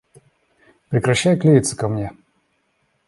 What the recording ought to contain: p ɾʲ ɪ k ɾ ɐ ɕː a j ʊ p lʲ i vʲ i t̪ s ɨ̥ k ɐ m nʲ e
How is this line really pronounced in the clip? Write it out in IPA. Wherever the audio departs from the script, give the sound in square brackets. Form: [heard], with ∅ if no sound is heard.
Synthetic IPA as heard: p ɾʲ ɪ k ɾ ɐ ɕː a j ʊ [k] lʲ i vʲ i t̪ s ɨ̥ k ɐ m nʲ e